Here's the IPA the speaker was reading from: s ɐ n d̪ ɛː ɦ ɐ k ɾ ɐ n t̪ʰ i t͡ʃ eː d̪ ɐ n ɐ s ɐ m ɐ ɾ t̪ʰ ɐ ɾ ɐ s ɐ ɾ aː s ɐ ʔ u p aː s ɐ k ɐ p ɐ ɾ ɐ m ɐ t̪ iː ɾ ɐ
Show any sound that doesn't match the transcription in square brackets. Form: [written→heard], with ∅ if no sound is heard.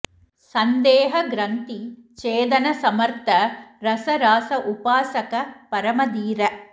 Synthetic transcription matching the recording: s ɐ n d̪ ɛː ɦ ɐ [k→ɡ] ɾ ɐ n [t̪ʰ→t̪] i t͡ʃ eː d̪ ɐ n ɐ s ɐ m ɐ ɾ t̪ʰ ɐ ɾ ɐ s ɐ ɾ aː s ɐ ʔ u p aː s ɐ k ɐ p ɐ ɾ ɐ m ɐ [t̪→d̪] iː ɾ ɐ